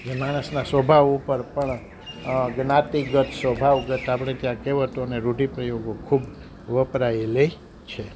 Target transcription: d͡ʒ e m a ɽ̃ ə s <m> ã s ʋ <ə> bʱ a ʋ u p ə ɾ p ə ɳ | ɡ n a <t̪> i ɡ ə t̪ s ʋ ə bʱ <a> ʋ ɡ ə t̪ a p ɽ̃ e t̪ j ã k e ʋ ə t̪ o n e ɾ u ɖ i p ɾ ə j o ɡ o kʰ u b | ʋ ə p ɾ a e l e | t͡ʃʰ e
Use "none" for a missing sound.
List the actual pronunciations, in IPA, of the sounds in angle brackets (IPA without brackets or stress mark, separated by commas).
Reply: n, ə, t̪, a